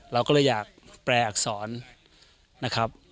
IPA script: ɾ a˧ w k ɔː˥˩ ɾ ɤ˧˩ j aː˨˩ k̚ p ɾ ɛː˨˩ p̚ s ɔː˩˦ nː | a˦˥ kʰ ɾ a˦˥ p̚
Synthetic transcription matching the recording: ɾ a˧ w k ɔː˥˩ l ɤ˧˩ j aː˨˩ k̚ p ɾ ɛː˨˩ k̚ s ɔː˩˦ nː | a˦˥ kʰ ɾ a˦˥ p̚